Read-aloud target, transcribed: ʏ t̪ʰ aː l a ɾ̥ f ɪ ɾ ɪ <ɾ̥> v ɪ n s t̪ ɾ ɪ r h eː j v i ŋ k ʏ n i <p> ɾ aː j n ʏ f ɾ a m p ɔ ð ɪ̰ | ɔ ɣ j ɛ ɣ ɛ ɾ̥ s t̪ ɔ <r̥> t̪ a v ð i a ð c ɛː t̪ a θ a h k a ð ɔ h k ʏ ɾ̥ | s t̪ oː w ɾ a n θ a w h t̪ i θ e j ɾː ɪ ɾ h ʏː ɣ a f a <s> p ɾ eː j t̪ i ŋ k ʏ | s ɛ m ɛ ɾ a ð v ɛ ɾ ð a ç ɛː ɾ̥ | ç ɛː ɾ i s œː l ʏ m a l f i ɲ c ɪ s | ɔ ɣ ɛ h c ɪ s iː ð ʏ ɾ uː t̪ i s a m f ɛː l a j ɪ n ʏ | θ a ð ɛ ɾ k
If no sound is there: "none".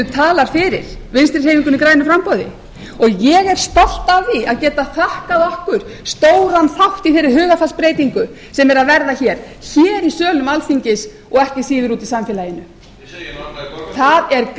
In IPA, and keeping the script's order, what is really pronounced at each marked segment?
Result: ɾ̥, k, l̥, s

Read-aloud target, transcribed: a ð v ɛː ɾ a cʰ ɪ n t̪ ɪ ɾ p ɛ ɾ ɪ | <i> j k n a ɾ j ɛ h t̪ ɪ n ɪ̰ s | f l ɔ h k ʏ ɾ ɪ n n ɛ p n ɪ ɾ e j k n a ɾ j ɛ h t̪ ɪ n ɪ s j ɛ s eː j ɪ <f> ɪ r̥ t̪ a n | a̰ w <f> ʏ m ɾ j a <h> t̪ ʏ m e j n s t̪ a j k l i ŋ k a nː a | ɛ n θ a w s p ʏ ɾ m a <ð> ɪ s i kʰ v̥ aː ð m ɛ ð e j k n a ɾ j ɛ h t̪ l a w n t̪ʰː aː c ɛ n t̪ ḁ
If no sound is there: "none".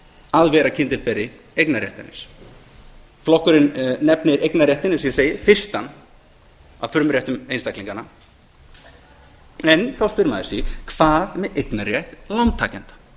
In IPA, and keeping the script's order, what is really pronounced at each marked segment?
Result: e, f, f, h, ð

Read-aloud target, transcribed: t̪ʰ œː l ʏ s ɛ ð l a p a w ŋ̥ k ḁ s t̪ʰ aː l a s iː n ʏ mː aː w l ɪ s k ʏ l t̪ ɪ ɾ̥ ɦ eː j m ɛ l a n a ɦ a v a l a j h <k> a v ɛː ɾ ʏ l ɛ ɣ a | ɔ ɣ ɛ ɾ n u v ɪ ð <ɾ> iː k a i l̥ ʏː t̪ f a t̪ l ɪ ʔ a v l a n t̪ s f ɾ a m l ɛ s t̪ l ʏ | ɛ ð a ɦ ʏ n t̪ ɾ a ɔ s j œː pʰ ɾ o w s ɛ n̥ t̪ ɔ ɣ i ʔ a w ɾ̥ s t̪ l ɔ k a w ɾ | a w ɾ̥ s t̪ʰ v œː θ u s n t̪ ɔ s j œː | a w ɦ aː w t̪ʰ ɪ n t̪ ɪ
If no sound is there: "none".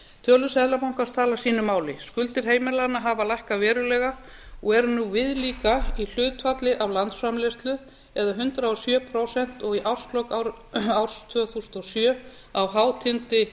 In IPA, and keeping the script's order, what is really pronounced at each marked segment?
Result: k, l

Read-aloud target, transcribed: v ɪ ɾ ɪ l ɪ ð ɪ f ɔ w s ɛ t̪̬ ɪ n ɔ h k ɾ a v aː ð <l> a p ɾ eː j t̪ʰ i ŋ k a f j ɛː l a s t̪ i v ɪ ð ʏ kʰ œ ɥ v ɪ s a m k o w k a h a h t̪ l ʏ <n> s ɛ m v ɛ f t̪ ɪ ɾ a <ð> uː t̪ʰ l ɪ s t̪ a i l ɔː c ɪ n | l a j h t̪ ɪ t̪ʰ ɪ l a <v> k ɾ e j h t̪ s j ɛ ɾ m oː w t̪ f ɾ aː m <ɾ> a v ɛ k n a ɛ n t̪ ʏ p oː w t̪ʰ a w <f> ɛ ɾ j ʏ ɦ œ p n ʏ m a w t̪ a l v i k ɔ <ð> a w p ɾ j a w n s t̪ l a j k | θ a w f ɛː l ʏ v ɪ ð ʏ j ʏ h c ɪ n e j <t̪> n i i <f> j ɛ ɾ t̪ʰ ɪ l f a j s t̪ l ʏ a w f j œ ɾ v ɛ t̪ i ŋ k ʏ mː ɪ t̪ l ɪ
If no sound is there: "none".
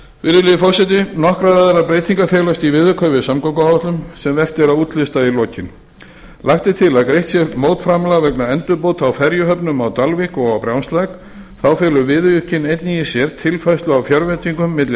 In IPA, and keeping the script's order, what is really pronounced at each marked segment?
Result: ɾ, m, ð, ð, l, f, ɣ, t̪, s

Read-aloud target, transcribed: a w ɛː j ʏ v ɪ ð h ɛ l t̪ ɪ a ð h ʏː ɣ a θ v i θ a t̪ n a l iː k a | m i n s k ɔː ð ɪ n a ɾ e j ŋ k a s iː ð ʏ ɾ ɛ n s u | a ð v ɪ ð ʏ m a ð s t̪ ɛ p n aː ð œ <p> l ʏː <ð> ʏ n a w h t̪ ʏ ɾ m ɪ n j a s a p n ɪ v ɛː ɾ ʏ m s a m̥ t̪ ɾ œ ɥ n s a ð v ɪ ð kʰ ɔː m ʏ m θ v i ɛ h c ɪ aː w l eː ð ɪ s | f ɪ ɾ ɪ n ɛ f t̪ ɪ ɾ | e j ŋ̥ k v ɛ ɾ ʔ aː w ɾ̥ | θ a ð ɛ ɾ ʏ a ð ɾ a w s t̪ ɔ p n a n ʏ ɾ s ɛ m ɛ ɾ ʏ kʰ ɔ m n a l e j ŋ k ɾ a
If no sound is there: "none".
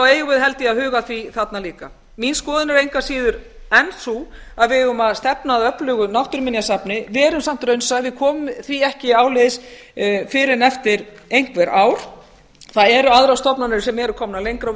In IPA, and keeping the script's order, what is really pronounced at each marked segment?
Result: p, ɣ

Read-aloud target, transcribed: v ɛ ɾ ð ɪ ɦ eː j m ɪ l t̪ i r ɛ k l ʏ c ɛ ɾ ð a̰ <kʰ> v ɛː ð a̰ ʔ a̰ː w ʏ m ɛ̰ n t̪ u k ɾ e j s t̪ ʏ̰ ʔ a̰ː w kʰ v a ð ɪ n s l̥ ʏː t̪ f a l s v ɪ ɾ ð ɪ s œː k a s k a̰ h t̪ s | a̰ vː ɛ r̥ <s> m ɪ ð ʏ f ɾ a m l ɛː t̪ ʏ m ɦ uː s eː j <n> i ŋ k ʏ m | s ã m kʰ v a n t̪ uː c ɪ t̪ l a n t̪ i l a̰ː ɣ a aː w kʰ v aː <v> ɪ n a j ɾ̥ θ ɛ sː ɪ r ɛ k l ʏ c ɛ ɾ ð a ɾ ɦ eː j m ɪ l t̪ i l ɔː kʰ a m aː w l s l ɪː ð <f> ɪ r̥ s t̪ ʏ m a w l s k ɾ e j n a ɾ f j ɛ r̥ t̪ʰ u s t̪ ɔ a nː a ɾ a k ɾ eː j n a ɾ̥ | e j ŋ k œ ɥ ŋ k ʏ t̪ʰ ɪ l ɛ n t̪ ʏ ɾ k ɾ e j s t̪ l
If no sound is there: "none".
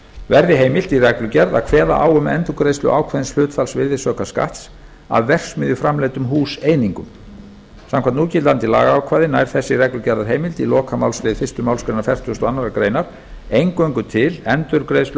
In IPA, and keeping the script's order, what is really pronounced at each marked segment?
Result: kʰ, s, n, ð, f

